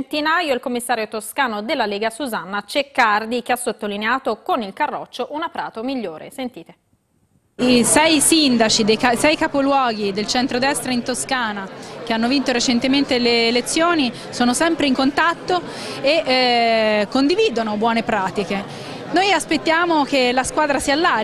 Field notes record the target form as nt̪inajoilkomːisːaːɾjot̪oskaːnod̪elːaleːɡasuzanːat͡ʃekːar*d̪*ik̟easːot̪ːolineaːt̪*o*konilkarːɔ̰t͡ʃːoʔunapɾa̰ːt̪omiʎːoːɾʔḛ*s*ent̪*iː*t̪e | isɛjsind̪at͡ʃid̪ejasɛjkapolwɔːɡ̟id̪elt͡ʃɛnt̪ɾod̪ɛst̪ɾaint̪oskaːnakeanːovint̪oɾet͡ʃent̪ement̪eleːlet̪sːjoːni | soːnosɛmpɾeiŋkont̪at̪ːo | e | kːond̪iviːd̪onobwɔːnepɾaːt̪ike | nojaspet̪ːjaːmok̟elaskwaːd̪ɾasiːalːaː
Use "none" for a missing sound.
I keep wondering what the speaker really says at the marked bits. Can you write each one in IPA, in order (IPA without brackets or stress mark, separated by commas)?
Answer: d̪, o, s, iː